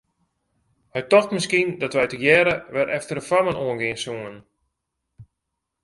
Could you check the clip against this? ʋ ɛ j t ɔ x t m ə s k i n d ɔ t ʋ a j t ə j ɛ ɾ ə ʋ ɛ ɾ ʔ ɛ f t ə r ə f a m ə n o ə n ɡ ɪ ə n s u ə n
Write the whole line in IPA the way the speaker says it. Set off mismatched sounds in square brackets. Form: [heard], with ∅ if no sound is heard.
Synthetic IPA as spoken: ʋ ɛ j t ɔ x t m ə s k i n d ɔ t ʋ [ɛ] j t ə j ɛ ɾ ə ʋ ɛ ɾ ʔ ɛ f t ə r ə f a m ə n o ə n ɡ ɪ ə n s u ə n